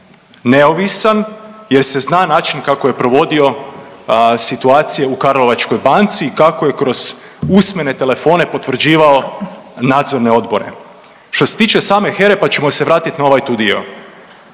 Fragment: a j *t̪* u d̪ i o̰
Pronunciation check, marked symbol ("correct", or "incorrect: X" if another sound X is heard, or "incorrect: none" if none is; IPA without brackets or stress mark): correct